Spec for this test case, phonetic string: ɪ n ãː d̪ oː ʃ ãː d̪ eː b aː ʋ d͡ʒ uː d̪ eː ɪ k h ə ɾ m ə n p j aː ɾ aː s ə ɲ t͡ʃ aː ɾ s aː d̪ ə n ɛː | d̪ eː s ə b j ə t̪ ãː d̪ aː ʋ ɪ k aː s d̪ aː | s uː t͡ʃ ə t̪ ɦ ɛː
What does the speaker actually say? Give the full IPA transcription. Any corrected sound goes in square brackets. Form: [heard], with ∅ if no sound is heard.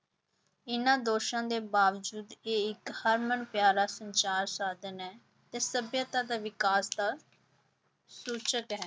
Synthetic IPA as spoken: ɪ n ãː d̪ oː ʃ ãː d̪ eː b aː ʋ d͡ʒ uː d̪ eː ɪ k h ə ɾ m ə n p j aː ɾ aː s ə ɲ t͡ʃ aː ɾ s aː d̪ ə n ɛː | [t̪] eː s ə b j ə t̪ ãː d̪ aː ʋ ɪ k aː s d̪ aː | s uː t͡ʃ ə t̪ ɦ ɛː